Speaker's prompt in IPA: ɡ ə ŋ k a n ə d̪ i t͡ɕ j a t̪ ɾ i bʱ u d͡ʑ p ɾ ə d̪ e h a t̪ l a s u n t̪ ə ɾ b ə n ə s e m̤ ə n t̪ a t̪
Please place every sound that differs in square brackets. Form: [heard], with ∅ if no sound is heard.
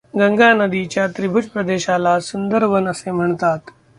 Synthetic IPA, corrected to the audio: ɡ ə ŋ [ɡ] a n ə d̪ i t͡ɕ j a t̪ ɾ i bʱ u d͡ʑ p ɾ ə d̪ e [ɕ] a [∅] l a s u n [d̪] ə ɾ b ə n ə s e m̤ ə [ɳ] t̪ a t̪